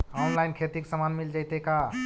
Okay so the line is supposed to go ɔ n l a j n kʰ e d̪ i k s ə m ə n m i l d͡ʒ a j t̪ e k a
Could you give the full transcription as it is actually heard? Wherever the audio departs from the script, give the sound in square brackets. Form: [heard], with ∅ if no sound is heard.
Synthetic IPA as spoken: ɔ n l a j n kʰ e [t̪] i k s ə m [a] n m i l d͡ʒ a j t̪ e k a